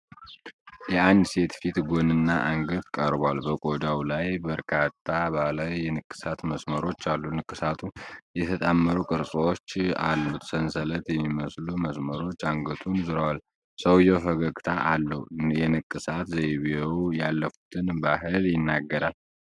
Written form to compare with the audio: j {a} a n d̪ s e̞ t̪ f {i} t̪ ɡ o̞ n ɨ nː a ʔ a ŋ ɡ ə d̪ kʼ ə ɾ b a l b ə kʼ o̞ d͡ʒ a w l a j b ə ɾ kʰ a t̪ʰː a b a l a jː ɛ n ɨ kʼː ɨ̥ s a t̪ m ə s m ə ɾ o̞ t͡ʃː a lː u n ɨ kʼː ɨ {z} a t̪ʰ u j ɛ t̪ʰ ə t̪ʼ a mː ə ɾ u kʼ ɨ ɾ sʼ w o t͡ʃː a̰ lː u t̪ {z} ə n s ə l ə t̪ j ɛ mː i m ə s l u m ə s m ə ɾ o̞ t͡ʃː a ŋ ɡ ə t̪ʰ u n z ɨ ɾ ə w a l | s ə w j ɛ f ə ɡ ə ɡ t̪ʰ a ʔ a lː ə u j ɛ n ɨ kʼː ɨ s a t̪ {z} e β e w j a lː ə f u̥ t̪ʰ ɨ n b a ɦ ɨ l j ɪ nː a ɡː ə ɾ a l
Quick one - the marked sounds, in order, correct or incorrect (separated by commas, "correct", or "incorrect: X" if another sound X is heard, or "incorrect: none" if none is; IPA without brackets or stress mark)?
incorrect: ɛ, correct, incorrect: s, incorrect: s, correct